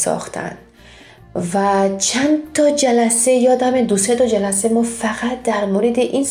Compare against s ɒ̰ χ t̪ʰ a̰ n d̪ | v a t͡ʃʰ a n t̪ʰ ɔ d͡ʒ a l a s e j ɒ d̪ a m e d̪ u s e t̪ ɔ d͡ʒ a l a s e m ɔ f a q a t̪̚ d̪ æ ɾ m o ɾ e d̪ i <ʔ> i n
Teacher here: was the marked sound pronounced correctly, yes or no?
yes